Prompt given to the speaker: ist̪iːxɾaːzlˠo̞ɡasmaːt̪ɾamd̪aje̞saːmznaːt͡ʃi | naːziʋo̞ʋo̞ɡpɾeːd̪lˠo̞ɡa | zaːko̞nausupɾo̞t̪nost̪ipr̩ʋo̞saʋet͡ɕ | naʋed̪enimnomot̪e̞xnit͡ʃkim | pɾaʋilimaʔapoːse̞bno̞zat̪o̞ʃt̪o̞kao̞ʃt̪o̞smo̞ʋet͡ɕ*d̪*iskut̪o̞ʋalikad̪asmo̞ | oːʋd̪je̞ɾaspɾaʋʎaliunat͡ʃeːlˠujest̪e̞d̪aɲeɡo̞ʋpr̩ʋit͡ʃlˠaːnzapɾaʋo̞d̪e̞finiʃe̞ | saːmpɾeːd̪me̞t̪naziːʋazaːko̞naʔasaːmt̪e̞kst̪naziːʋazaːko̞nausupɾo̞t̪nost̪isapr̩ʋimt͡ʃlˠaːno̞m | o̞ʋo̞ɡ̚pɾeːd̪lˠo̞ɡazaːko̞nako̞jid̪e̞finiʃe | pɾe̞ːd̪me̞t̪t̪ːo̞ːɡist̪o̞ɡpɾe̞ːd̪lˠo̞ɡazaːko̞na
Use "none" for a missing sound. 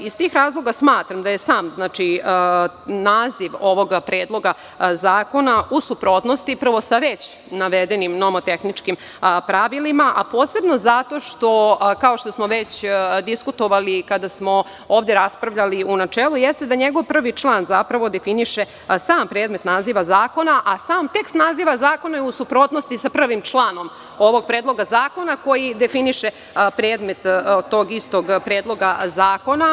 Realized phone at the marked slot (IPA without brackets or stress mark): d̪